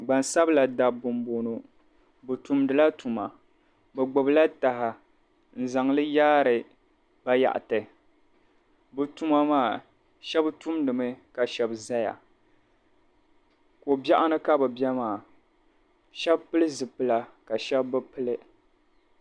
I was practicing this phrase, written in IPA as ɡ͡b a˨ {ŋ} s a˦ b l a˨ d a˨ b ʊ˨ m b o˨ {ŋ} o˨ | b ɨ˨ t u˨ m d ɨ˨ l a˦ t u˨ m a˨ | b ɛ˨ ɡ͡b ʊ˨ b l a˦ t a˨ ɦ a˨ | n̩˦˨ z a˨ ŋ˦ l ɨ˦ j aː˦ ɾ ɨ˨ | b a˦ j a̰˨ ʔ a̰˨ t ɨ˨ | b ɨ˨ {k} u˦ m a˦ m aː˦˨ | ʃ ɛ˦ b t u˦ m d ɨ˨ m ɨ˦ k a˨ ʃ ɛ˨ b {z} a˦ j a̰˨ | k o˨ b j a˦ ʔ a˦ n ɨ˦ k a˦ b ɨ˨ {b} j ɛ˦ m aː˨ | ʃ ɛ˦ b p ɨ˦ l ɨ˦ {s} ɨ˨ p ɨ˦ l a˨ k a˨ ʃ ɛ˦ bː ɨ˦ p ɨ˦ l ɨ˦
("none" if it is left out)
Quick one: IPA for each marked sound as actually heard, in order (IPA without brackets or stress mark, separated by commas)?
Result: n, n, t, z, b, z